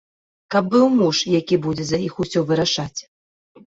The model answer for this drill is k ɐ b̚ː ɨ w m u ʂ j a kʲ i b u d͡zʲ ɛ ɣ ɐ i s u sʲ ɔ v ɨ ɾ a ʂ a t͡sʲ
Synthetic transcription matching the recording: k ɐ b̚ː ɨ w m u ʂ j a kʲ i b u d͡zʲ ɛ z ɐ i x u sʲ ɔ v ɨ ɾ a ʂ a t͡sʲ